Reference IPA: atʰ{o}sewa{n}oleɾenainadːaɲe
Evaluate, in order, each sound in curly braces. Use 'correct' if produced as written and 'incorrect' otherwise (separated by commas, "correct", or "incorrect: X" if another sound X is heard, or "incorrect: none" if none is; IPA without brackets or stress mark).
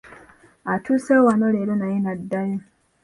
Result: incorrect: u, correct